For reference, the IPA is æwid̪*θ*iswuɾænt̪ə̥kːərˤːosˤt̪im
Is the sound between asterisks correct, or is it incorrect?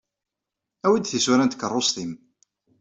correct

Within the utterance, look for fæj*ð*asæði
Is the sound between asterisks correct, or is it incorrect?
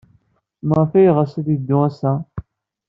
incorrect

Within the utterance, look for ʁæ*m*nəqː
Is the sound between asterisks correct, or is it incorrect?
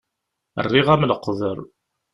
correct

